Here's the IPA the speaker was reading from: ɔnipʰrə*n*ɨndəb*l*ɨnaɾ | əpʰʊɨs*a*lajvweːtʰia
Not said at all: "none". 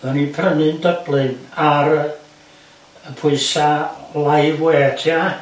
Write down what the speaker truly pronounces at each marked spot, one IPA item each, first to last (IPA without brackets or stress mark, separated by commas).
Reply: n, l, a